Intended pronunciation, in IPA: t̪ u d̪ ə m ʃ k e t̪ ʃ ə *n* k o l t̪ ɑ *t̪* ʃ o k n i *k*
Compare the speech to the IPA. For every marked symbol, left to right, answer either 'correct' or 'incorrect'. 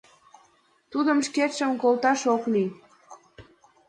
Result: incorrect, incorrect, incorrect

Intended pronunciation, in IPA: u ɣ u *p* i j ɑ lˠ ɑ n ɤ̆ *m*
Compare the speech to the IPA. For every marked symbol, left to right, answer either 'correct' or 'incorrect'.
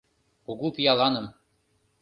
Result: correct, correct

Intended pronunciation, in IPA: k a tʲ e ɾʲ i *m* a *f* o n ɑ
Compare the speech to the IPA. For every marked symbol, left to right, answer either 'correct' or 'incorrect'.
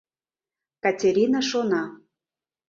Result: incorrect, incorrect

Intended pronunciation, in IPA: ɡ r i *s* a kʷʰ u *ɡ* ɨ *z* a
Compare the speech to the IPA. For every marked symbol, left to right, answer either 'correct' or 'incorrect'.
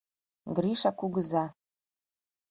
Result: incorrect, correct, correct

